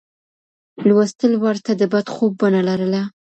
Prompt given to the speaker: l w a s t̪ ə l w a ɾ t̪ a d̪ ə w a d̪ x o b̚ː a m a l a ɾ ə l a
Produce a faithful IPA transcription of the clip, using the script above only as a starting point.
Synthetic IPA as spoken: l w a s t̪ ə l w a ɾ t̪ a d̪ ə b a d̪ x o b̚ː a n a l a ɾ ə l a